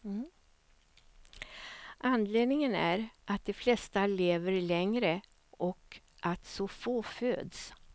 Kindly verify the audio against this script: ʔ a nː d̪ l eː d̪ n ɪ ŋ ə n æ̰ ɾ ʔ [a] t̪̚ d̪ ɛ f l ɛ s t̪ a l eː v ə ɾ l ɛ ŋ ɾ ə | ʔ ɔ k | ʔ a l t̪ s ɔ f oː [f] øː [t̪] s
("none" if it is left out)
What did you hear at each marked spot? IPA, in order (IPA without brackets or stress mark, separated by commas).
a, f, d̪